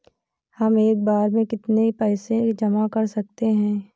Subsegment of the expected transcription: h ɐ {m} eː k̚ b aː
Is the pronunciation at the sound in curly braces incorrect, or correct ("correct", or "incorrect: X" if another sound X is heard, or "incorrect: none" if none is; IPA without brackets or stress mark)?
correct